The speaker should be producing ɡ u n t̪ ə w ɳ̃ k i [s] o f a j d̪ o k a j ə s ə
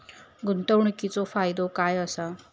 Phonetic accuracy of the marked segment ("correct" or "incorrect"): incorrect